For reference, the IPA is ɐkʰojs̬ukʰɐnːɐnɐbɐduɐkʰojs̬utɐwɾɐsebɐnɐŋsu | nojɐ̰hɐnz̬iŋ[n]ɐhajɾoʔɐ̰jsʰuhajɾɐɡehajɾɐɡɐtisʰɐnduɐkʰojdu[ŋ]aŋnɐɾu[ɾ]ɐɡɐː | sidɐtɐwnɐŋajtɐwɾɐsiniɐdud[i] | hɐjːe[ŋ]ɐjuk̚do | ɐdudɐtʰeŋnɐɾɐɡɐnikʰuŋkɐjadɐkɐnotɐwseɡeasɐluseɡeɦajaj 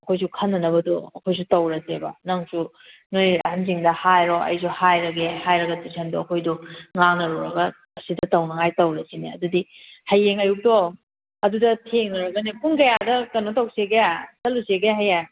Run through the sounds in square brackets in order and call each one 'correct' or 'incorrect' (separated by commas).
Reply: incorrect, correct, correct, correct, correct